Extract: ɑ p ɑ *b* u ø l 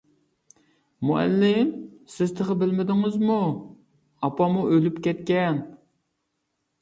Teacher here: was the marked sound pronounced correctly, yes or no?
no